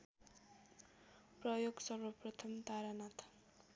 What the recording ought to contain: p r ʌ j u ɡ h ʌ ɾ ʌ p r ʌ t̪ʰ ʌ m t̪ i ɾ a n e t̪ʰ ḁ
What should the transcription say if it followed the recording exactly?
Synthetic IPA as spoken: p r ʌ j o ɡ s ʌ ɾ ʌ p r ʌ t̪ʰ ʌ m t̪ a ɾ a n a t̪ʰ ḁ

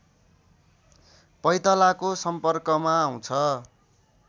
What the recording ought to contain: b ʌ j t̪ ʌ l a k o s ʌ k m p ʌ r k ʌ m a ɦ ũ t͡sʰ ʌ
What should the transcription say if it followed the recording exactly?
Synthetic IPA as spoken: p ʌ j t̪ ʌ l a k o s ʌ m p ʌ r k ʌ m a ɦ ũ t͡sʰ ʌ

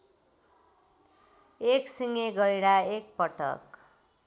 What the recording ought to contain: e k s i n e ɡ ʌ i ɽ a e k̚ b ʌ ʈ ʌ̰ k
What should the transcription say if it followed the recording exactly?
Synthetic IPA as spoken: e k s i ŋ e ɡ ʌ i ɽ a e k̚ p ʌ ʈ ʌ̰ k

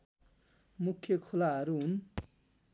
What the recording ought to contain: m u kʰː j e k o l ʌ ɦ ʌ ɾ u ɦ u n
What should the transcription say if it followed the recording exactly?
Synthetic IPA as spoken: m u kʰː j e kʰ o l a ɦ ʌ ɾ u ɦ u n

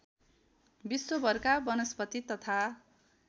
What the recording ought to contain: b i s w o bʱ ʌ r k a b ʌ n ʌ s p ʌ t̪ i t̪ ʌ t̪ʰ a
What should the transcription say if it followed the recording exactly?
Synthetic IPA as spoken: b i s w o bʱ ʌ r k a b ʌ n ʌ s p ʌ t̪ i t̪ ʌ t̪ʰ a

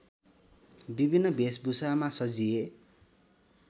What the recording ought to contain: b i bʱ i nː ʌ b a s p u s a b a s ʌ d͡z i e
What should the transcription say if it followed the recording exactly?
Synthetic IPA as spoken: b i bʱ i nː ʌ b e s b u s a m a s ʌ d͡z i e

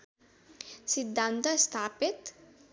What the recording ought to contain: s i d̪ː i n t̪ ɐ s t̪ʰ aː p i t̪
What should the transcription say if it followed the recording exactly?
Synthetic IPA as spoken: s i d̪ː a n t̪ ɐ s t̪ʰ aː p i t̪

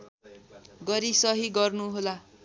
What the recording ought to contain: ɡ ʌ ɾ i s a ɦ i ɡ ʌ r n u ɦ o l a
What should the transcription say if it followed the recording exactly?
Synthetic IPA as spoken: ɡ ʌ ɾ i s ʌ ɦ i ɡ ʌ r n u ɦ o l a

